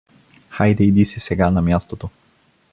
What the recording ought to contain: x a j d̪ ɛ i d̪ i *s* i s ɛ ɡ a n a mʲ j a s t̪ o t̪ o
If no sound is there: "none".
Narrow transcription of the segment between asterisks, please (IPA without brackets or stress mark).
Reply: s